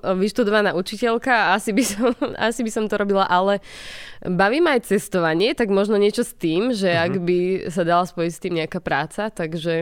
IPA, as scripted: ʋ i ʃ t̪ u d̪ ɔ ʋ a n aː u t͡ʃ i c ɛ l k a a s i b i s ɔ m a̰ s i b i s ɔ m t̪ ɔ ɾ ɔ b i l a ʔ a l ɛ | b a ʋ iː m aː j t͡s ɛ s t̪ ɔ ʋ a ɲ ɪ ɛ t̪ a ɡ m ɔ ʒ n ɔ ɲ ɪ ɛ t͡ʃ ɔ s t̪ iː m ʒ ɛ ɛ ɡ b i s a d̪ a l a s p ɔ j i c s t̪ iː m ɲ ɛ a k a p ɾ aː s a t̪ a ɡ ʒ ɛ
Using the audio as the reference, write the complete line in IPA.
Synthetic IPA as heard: ʋ i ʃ t̪ u d̪ ɔ ʋ a n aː u t͡ʃ i c ɛ l k a a s i b i s ɔ m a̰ s i b i s ɔ m t̪ ɔ ɾ ɔ b i l a ʔ a l ɛ | b a ʋ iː m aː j t͡s ɛ s t̪ ɔ ʋ a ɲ ɪ ɛ t̪ a ɡ m ɔ ʒ n ɔ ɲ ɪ ɛ t͡ʃ ɔ s t̪ iː m ʒ ɛ a ɡ b i s a d̪ a l a s p ɔ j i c s t̪ iː m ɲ ɛ a k a p ɾ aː t͡s a t̪ a ɡ ʒ ɛ